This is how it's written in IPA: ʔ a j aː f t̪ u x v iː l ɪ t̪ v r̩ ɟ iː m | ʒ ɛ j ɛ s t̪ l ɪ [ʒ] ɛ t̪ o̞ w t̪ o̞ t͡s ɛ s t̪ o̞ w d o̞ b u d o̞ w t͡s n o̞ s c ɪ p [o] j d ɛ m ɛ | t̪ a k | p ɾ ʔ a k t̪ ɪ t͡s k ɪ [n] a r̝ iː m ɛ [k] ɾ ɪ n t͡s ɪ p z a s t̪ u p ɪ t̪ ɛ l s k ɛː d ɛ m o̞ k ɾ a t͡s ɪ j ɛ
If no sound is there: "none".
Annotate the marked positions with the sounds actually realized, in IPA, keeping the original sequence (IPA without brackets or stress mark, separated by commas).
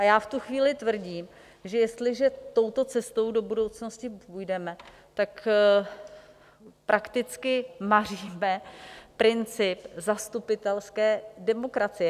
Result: ʒ, u, m, p